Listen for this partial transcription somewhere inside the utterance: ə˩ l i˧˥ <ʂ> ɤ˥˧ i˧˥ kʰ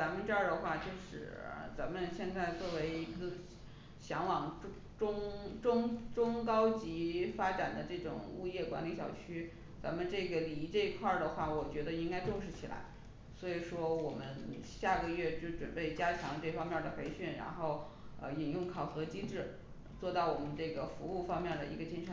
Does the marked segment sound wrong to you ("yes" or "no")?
yes